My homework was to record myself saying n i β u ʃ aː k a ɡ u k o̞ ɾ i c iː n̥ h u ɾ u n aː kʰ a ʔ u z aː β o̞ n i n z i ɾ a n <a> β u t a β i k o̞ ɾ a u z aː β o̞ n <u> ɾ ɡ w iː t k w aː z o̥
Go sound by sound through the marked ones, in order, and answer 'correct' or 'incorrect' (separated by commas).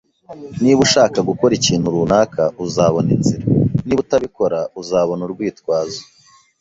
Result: incorrect, correct